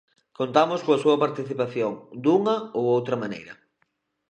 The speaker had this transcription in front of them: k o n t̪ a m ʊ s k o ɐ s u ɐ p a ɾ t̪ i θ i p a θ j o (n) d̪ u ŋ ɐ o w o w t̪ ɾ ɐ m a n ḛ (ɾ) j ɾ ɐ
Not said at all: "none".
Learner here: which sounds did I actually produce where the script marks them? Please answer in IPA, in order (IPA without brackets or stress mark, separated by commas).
ŋ, none